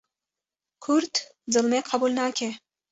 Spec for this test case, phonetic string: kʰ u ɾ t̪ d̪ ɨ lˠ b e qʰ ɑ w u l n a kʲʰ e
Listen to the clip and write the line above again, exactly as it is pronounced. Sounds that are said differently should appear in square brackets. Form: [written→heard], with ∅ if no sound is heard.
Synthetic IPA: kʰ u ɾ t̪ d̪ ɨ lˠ [b→m] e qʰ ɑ [w→b] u l n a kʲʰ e